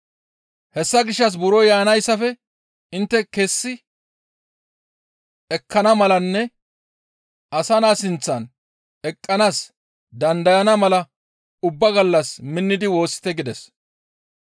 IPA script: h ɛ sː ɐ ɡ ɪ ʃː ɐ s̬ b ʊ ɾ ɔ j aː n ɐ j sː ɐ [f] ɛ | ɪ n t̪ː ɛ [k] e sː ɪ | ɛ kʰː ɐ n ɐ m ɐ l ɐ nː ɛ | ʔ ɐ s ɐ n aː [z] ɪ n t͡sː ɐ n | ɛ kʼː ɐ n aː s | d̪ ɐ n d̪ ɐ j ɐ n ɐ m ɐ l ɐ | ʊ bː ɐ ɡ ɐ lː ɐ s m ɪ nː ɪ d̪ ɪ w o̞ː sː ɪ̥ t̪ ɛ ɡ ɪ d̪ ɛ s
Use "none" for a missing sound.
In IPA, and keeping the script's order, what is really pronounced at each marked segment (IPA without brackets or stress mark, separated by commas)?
f, k, s